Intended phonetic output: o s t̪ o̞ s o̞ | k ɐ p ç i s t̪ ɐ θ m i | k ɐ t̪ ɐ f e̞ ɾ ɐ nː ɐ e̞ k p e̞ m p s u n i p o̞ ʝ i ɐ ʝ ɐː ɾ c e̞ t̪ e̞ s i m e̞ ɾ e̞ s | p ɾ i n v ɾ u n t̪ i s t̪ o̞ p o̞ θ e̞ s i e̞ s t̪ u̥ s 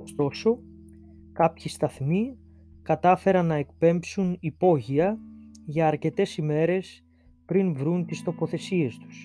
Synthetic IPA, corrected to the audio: o s t̪ o̞ s o̞ | k ɐ p ç i s t̪ ɐ θ m i | k ɐ t̪ ɐ f e̞ ɾ ɐ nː ɐ e̞ k p e̞ m p s u n i p o̞ ʝ i ɐ ʝ ɐː ɾ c e̞ t̪ e̞ s i m e̞ ɾ e̞ s | p ɾ i n v ɾ u n t̪ i s t̪ o̞ p o̞ θ e̞ s i e̞ s t̪ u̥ s